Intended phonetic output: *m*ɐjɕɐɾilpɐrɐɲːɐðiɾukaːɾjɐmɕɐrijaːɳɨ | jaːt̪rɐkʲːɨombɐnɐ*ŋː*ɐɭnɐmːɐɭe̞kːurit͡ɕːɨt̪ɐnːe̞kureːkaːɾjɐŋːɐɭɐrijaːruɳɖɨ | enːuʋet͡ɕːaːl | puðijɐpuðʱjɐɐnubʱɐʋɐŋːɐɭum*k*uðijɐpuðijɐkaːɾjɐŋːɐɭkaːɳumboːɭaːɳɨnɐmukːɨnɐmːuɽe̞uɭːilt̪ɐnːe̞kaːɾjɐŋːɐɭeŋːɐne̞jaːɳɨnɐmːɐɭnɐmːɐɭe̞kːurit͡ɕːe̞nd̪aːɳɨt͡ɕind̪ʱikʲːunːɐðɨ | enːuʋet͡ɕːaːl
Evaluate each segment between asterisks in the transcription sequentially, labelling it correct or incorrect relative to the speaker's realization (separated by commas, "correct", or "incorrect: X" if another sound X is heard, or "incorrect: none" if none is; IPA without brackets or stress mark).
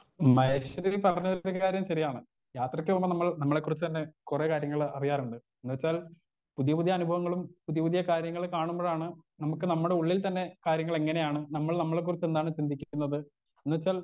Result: correct, incorrect: mː, incorrect: p